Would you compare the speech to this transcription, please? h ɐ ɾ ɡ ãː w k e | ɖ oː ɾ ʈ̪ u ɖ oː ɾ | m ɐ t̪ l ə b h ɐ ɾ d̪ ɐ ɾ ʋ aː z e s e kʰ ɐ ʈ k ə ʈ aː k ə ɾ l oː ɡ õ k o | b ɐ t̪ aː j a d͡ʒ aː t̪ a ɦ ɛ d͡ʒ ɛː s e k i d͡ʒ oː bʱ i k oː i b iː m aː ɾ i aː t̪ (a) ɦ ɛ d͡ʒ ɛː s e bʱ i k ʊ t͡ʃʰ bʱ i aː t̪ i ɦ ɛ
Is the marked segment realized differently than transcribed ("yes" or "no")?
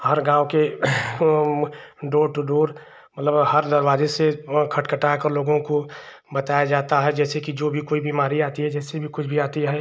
yes